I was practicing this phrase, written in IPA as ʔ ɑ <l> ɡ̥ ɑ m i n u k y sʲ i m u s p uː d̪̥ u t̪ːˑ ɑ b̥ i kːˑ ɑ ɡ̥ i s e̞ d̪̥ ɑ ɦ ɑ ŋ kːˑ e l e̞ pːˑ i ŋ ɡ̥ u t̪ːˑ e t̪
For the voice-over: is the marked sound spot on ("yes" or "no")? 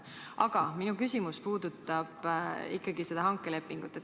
no